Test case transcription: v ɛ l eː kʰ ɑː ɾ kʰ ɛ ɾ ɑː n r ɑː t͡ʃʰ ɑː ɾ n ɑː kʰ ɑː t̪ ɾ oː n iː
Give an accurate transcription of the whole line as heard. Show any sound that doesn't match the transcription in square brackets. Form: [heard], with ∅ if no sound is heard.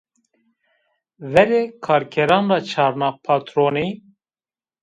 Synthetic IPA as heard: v ɛ [ɾ] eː kʰ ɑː ɾ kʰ ɛ ɾ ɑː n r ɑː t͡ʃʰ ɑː ɾ n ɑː [pʰ] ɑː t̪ ɾ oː n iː

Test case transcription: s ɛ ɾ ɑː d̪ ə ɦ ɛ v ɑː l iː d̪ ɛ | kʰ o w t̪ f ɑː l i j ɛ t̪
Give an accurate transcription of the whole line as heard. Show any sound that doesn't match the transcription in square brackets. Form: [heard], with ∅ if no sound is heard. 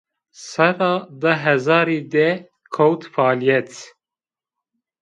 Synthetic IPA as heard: s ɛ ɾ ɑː d̪ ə ɦ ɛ [z] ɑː [ɾ] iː d̪ ɛ | kʰ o w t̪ f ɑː l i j ɛ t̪

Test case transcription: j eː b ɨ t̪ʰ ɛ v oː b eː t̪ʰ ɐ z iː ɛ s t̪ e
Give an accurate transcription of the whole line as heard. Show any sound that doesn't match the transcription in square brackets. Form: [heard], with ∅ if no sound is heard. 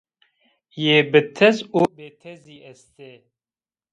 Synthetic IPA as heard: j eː b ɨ t̪ʰ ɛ [z] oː b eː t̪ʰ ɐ z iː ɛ s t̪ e

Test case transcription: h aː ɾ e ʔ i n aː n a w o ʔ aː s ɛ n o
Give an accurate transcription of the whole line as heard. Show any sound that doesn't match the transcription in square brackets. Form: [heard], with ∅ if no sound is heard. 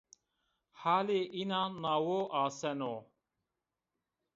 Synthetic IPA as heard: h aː [l] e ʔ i n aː n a w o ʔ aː s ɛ n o

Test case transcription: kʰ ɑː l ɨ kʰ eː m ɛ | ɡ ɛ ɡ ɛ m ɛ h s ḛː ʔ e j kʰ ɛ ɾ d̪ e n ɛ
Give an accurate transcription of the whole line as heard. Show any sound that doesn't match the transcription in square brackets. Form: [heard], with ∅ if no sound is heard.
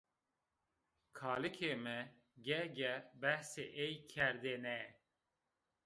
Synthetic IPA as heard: kʰ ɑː l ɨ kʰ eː m ɛ | ɡ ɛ ɡ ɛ [b] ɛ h s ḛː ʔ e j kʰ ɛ ɾ d̪ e n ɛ

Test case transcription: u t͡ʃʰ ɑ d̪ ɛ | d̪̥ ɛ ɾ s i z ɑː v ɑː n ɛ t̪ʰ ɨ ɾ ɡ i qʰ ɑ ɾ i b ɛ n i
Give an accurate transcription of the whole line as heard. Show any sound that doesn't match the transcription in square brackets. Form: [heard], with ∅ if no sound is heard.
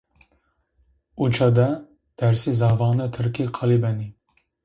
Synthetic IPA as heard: u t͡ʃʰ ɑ d̪ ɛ | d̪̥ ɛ ɾ s i z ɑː v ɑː n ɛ t̪ʰ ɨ ɾ [k] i qʰ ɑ [l] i b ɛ n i

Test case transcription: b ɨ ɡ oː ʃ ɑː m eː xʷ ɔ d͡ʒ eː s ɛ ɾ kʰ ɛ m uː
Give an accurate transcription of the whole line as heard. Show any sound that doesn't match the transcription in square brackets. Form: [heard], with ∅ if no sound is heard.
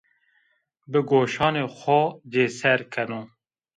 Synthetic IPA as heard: b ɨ ɡ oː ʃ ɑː [n] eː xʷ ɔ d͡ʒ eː s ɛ ɾ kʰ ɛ [n] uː

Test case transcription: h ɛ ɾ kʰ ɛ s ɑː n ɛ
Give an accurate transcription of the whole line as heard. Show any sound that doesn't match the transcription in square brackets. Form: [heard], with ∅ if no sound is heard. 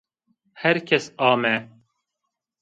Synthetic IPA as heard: h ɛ ɾ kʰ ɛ s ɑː [m] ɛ

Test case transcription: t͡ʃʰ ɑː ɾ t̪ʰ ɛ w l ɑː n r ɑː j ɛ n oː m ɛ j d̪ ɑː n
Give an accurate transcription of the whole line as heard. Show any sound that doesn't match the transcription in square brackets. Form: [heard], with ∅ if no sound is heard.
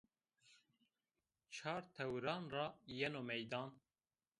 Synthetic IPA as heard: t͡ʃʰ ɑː ɾ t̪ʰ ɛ w [ɾ] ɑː n r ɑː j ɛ n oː m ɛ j d̪ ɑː n

